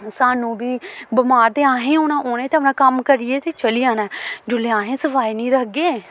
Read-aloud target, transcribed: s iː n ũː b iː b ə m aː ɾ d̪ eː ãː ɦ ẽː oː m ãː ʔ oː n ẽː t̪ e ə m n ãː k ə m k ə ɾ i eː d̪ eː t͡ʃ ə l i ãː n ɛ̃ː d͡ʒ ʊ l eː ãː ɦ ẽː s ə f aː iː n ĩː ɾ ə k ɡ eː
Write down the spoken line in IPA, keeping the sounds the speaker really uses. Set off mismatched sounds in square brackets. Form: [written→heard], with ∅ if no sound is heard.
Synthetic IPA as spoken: s [iː→aː] n ũː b iː b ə m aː ɾ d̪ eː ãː ɦ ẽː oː [m→n] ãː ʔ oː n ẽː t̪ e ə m n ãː k ə m k ə ɾ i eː [d̪→t̪] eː t͡ʃ ə l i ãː n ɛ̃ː d͡ʒ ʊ l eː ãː ɦ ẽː s ə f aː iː n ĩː ɾ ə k ɡ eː